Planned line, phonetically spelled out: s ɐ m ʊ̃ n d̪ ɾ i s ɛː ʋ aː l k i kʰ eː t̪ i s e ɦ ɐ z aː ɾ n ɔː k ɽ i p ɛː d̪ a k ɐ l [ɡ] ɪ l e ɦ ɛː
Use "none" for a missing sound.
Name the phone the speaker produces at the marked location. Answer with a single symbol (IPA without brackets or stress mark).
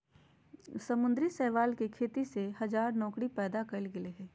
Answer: ɡ